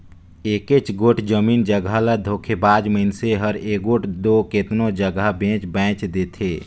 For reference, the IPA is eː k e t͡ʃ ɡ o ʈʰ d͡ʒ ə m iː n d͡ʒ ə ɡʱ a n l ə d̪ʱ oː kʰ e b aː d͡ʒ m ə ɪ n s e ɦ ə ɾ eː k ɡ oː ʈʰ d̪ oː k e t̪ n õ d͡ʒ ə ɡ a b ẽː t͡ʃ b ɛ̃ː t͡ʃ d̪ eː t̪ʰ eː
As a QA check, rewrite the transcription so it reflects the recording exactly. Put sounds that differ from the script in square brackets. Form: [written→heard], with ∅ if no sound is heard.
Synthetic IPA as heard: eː k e t͡ʃ ɡ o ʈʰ d͡ʒ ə m iː n d͡ʒ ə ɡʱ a [n→∅] l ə d̪ʱ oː kʰ e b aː d͡ʒ m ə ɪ n s e ɦ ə ɾ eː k ɡ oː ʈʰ d̪ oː k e t̪ n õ d͡ʒ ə ɡ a b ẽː t͡ʃ b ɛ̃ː t͡ʃ d̪ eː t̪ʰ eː